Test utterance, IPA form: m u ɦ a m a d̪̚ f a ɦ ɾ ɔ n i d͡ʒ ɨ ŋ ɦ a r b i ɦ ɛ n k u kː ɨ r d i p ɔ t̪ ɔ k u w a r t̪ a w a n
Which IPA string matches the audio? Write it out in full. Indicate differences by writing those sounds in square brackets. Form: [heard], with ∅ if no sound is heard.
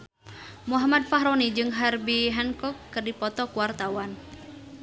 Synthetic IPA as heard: m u ɦ a m a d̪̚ f a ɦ ɾ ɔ n i d͡ʒ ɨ ŋ ɦ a r b i ɦ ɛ n k [ɔ] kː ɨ r d i p ɔ t̪ ɔ k u w a r t̪ a w a n